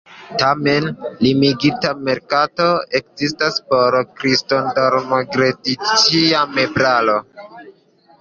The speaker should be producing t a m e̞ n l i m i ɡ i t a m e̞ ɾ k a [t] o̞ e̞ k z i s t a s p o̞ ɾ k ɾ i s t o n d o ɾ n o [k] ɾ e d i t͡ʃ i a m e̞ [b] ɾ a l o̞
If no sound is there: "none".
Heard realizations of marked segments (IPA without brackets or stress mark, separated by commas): t, ɡ, b